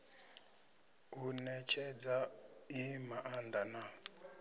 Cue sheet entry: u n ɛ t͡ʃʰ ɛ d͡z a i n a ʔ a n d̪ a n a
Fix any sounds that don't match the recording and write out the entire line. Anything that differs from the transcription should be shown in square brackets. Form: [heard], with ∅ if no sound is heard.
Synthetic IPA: u n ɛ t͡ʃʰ ɛ d͡z a i [m] a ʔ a n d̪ a n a